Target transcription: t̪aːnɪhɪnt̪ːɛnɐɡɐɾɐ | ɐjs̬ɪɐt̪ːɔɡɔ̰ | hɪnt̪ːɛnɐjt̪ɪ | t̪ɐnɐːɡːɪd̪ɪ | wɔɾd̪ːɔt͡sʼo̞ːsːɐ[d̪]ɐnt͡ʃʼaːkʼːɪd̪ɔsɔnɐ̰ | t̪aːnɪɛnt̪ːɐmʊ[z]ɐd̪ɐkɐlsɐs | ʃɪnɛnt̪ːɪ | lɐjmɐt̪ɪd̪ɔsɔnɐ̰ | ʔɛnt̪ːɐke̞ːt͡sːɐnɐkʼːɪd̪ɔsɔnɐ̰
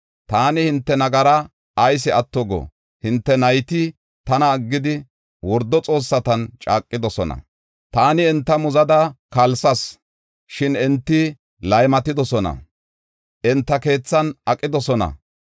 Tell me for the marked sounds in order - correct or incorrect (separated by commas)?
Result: incorrect, correct